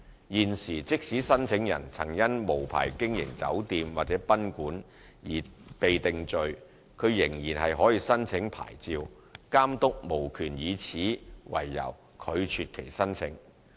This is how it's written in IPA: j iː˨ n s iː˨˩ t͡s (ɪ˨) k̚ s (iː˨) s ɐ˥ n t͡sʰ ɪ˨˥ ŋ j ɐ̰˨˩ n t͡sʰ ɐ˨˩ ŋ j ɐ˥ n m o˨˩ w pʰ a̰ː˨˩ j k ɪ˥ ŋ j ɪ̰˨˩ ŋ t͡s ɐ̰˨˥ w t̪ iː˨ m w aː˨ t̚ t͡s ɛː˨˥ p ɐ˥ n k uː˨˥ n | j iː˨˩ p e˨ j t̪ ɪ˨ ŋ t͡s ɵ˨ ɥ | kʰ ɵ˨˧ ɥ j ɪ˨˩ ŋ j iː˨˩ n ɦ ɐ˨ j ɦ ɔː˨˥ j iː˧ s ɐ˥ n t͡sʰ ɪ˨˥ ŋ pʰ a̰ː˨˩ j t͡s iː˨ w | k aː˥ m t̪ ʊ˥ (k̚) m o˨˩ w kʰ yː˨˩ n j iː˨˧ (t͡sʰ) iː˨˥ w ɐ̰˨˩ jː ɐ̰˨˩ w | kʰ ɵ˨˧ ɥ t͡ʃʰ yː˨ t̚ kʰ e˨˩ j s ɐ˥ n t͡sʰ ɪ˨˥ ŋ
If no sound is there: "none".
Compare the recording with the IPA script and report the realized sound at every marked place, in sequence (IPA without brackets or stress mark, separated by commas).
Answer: ɪ˥, iː˨˥, k̚, t͡sʰ